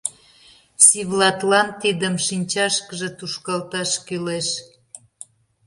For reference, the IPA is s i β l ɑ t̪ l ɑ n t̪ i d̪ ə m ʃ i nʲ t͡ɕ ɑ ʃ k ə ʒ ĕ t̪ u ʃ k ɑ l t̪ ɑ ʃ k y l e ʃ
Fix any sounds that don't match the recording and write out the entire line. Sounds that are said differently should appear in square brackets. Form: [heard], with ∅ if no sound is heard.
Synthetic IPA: s i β l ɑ t̪ l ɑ n t̪ i d̪ ə m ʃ i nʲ t͡ɕ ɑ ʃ k ə ʒ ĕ t̪ u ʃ k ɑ l t̪ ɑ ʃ k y l e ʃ